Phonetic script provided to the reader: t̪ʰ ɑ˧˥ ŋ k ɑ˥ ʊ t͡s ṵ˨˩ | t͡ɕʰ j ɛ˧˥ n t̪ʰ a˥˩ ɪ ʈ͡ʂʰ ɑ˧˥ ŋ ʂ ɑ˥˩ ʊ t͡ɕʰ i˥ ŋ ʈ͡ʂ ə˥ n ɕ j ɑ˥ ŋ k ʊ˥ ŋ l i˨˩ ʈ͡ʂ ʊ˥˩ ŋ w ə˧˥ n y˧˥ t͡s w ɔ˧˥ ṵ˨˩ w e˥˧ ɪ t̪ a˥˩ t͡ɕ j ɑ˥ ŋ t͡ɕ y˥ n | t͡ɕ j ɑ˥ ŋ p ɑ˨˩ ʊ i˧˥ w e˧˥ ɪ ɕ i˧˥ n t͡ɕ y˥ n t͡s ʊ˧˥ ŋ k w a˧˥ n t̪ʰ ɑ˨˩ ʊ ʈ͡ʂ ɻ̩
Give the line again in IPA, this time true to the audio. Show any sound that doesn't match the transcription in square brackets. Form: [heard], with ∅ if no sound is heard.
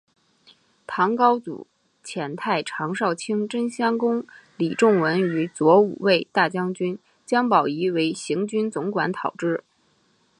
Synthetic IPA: t̪ʰ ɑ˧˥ ŋ k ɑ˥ ʊ t͡s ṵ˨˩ | t͡ɕʰ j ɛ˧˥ n t̪ʰ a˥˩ ɪ ʈ͡ʂʰ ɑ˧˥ ŋ ʂ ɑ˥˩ ʊ t͡ɕʰ i˥ ŋ ʈ͡ʂ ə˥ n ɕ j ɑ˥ ŋ k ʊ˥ ŋ l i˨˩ ʈ͡ʂ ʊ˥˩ ŋ w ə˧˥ n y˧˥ t͡s w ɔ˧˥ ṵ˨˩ w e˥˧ ɪ t̪ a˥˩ t͡ɕ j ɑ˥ ŋ t͡ɕ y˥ n | t͡ɕ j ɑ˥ ŋ p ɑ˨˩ ʊ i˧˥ w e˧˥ ɪ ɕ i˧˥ [ŋ] t͡ɕ y˥ n t͡s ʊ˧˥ ŋ k w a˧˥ n t̪ʰ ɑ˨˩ ʊ ʈ͡ʂ ɻ̩